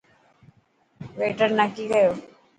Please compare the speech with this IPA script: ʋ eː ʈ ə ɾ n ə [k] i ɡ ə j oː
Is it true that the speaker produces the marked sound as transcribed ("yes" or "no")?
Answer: yes